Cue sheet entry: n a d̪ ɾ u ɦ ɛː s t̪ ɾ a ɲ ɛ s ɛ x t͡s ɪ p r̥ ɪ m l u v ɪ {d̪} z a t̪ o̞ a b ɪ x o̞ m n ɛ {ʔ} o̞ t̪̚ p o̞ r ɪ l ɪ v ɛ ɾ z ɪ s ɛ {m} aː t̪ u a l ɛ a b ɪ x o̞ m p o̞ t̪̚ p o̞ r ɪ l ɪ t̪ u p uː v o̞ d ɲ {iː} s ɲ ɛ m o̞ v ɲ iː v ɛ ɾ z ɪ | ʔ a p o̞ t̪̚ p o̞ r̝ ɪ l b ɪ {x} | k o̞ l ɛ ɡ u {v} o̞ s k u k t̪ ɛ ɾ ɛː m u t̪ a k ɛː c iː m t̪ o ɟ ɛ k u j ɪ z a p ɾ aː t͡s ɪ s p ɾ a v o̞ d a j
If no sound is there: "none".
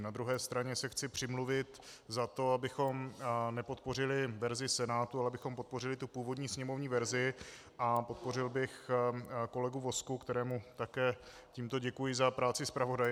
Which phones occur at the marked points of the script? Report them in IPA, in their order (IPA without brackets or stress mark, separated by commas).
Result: t̪, p, n, iː, x, v